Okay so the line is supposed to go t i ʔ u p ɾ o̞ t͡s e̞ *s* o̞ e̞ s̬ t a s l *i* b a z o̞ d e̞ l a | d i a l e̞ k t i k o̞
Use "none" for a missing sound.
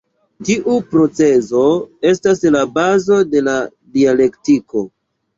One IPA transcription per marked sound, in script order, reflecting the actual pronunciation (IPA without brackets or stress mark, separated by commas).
z, a